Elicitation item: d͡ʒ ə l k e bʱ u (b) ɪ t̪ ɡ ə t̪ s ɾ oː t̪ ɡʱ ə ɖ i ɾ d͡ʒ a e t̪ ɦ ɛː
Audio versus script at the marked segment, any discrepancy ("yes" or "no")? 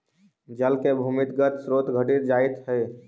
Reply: yes